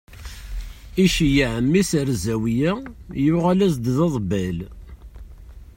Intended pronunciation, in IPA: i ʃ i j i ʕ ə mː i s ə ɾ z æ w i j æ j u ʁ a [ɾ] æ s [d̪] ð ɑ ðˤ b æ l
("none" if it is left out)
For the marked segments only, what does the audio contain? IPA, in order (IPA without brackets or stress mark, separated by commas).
l, d̪